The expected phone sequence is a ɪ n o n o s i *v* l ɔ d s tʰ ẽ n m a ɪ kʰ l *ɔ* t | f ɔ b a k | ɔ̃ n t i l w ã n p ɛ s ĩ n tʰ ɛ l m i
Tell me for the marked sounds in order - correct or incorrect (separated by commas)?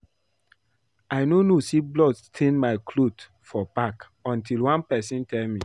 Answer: incorrect, incorrect